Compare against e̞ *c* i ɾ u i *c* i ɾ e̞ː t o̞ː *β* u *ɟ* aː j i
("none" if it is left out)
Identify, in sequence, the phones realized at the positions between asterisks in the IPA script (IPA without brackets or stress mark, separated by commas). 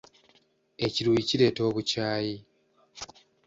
c, c, β, c